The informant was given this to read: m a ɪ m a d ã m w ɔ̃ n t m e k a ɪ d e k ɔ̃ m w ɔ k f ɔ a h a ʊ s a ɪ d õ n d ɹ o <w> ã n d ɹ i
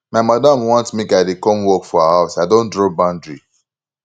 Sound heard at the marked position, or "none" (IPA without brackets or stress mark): b